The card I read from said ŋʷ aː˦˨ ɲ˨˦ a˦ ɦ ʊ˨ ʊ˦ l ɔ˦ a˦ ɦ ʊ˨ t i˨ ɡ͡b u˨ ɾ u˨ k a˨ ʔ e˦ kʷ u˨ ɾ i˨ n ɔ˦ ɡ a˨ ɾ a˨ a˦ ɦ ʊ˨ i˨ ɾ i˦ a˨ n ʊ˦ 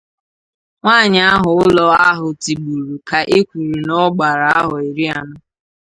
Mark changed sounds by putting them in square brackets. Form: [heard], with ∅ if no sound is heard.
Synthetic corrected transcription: ŋʷ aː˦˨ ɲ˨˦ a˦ ɦ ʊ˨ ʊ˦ l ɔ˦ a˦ ɦ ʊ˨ t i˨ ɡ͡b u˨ ɾ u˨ k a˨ ʔ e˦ kʷ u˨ ɾ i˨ n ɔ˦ [ɡ͡b] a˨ ɾ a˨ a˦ ɦ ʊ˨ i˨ ɾ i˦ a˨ n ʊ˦